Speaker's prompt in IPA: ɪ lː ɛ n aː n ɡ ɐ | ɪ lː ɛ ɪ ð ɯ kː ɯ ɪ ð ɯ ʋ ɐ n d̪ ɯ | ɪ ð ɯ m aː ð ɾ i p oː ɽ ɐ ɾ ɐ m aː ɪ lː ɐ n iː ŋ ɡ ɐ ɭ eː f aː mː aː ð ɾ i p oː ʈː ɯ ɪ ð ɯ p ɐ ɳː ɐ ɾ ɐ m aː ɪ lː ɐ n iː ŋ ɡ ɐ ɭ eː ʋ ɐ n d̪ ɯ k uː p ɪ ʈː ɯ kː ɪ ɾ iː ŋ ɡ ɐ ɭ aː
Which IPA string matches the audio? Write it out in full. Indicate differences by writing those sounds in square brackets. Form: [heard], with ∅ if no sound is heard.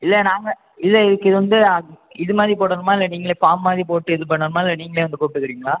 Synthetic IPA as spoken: ɪ lː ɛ n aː [ŋ] ɡ ɐ | ɪ lː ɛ ɪ ð ɯ kː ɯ ɪ ð ɯ ʋ ɐ n d̪ ɯ | ɪ ð ɯ m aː ð ɾ i p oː ɽ ɐ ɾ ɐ m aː ɪ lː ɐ n iː ŋ ɡ ɐ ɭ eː f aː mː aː ð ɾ i p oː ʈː ɯ ɪ ð ɯ p ɐ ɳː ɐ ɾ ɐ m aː ɪ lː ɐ n iː ŋ ɡ ɐ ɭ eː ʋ ɐ n d̪ ɯ k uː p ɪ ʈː ɯ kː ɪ ɾ iː ŋ ɡ ɐ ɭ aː